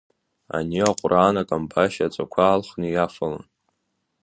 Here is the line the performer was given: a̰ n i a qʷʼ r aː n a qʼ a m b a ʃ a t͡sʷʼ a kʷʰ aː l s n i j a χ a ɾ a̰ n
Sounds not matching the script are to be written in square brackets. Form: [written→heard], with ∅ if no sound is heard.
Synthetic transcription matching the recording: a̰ n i a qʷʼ r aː n a [qʼ→kʼ] a m b a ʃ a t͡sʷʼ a kʷʰ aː l [s→χ] n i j a [χ→f] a [ɾ→l] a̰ n